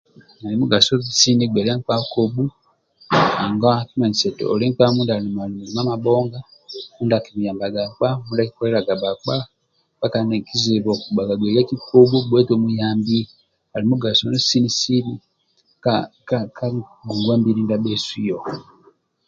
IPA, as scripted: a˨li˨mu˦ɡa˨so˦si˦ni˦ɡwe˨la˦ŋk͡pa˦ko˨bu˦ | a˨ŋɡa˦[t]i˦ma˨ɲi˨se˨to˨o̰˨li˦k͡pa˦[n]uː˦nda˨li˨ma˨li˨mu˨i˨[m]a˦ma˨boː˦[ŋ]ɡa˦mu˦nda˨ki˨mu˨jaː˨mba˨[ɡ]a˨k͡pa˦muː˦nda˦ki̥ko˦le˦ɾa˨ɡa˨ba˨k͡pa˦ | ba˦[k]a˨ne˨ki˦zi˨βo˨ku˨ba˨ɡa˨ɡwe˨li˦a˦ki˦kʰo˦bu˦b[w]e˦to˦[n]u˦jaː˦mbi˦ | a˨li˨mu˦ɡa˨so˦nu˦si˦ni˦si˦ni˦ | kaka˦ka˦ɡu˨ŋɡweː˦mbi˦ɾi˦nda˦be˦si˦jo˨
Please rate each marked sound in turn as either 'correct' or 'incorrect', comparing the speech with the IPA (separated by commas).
incorrect, incorrect, correct, correct, correct, correct, correct, incorrect